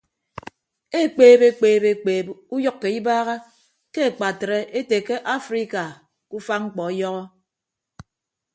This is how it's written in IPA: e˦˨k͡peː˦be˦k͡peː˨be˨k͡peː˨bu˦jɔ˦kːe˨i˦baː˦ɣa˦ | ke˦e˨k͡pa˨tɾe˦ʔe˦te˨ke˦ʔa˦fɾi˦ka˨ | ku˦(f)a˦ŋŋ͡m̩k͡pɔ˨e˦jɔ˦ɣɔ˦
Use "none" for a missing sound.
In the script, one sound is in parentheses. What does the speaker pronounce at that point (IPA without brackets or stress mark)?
f